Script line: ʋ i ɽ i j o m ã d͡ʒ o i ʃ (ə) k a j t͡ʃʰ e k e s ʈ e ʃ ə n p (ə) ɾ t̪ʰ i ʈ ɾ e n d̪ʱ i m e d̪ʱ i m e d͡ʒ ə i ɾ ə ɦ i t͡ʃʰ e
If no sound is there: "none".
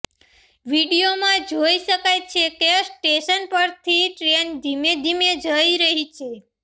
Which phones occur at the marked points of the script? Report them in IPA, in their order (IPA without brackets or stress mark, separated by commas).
ə, ə